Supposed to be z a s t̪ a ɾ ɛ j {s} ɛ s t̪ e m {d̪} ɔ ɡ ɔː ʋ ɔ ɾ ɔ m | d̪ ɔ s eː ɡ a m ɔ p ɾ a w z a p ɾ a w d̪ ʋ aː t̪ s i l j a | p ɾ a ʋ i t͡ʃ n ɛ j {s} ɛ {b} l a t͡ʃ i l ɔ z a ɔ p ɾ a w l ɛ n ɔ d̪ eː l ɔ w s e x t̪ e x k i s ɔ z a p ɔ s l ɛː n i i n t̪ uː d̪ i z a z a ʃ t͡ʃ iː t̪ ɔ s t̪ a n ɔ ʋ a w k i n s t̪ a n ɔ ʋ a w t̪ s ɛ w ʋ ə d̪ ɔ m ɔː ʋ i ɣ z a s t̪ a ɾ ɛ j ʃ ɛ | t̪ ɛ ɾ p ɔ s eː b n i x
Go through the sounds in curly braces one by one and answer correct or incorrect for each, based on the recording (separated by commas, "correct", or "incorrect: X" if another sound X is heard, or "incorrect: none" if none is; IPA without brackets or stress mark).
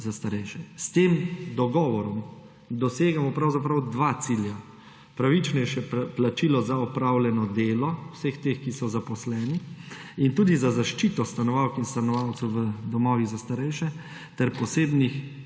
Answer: incorrect: ʃ, correct, incorrect: ʃ, incorrect: p